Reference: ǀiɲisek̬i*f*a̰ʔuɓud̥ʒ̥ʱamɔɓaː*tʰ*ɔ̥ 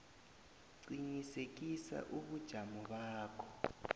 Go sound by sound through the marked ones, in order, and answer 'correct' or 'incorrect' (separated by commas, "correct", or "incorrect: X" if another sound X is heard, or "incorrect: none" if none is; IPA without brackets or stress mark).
incorrect: s, incorrect: kʰ